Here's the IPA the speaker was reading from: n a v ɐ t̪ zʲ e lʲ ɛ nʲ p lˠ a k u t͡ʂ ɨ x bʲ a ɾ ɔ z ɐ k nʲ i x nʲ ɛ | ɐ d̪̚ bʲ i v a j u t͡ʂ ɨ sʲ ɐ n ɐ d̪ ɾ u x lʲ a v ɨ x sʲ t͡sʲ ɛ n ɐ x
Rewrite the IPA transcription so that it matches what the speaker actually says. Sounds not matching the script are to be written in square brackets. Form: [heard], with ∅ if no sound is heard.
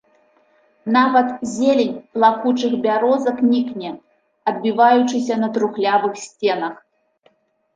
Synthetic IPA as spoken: n a v ɐ t̪ zʲ e lʲ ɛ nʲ p lˠ a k u t͡ʂ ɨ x bʲ a ɾ ɔ z ɐ k nʲ i [k] nʲ ɛ | ɐ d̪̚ bʲ i v a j u t͡ʂ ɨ sʲ ɐ n ɐ [t̪] ɾ u x lʲ a v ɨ x sʲ t͡sʲ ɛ n ɐ x